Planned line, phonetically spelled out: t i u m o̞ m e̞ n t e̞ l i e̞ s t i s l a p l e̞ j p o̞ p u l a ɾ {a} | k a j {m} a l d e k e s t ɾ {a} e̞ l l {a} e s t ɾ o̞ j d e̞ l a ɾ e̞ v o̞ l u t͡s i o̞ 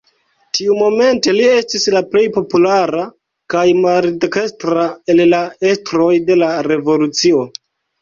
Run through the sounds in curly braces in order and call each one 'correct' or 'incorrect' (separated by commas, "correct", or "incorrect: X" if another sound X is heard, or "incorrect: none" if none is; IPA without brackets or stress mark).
correct, correct, correct, correct